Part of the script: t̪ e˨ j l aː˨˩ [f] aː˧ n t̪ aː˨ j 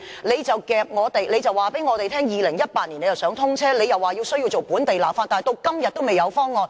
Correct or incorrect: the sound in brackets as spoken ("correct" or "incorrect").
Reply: correct